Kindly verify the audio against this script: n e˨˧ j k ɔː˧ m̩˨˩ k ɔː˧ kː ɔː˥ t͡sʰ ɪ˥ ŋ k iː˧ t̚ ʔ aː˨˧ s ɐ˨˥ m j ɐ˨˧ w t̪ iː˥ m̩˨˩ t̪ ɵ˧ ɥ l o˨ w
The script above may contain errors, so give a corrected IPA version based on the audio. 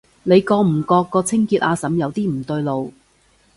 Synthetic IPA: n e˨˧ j k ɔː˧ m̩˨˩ k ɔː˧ kː ɔː˧ t͡sʰ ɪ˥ ŋ k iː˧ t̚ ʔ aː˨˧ s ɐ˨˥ m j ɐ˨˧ w t̪ iː˥ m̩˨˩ t̪ ɵ˧ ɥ l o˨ w